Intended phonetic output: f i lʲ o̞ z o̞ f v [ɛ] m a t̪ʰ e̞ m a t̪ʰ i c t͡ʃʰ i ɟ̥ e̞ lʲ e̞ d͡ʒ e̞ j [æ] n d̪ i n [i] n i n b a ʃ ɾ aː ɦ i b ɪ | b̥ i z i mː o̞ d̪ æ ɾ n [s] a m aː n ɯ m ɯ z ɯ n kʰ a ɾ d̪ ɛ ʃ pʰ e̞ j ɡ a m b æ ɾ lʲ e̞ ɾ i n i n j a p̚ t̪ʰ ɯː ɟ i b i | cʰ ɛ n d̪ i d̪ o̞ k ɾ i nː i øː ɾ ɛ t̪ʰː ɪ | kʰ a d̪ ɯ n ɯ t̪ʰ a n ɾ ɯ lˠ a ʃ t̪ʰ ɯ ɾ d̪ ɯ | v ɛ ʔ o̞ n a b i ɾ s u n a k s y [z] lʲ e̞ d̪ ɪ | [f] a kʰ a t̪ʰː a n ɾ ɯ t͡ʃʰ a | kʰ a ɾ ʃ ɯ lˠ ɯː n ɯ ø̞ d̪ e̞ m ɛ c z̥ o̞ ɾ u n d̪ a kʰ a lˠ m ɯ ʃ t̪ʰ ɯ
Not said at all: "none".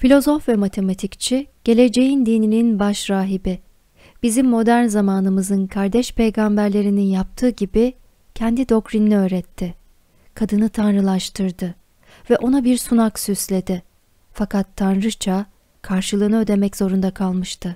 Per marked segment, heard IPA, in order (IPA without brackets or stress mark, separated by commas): ɛ, i, i, z, s, f